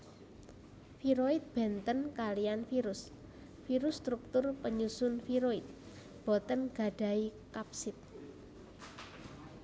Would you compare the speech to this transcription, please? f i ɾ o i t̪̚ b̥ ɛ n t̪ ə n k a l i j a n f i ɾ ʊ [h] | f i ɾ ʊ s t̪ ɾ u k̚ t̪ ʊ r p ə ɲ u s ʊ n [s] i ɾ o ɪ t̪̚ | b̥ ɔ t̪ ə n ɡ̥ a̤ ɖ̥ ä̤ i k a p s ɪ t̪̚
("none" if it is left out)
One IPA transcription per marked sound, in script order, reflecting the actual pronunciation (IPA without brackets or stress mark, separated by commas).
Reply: s, f